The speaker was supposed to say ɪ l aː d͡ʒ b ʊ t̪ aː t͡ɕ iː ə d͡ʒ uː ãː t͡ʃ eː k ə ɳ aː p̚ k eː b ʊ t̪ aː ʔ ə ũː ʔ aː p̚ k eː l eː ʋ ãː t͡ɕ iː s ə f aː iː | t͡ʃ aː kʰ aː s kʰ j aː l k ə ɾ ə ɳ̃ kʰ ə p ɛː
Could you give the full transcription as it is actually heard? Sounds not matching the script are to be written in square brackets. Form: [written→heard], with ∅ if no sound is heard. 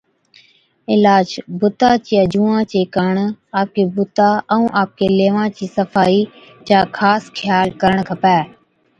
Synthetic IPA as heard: ɪ l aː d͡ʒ b ʊ t̪ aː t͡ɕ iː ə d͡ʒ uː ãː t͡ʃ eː k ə ɳ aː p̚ k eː b ʊ t̪ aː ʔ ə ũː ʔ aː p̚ k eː l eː ʋ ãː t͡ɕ iː s ə f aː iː | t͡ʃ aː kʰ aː s kʰ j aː l k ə ɾ ə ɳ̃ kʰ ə p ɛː